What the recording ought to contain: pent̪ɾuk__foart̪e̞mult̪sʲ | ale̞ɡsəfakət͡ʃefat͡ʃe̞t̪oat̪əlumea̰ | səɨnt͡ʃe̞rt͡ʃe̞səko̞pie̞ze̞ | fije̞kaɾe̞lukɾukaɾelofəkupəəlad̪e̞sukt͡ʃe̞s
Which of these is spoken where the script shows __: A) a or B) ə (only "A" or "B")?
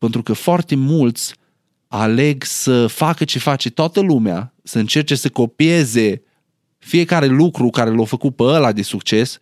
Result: B